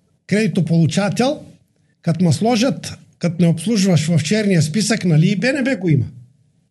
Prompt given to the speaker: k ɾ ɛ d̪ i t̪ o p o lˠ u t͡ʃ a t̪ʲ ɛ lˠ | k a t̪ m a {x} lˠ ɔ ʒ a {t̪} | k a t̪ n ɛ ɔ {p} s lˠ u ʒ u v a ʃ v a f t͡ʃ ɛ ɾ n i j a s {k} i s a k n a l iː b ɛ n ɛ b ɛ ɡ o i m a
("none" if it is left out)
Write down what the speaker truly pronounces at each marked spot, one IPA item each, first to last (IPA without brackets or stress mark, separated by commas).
s, t̪, p, p